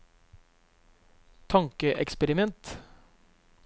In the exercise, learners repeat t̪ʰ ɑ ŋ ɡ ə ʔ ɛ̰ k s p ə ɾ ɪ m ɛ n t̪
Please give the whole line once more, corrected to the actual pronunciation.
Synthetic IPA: t̪ʰ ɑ ŋ k ə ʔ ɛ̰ k s p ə ɾ ɪ m ɛ n t̪